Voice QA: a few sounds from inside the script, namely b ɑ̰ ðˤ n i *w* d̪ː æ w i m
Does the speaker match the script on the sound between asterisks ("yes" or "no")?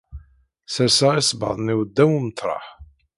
yes